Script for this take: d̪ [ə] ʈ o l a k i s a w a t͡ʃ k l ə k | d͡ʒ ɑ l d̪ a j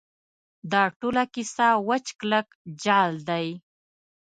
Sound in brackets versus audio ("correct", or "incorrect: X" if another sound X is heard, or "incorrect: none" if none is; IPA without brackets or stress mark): incorrect: ɑ